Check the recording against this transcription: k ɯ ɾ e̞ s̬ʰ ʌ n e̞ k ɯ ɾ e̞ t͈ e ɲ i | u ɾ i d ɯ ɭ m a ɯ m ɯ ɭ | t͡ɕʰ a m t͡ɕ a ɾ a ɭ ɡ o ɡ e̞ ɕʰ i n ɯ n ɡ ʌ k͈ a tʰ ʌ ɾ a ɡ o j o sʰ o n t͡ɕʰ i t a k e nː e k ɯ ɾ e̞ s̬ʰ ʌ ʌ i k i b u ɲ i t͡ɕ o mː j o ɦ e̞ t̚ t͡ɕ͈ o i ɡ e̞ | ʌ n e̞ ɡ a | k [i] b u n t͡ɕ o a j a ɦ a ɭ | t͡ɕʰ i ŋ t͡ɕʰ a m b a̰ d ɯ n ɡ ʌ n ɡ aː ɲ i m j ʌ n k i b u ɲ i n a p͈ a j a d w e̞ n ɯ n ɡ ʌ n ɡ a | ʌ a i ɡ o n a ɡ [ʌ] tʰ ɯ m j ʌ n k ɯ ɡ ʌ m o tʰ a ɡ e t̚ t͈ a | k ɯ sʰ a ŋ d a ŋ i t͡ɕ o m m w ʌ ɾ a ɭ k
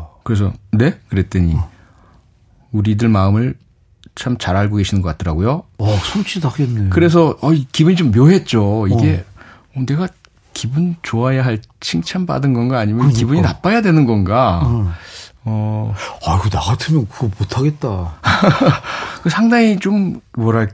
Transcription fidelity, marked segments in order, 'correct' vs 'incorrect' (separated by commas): correct, incorrect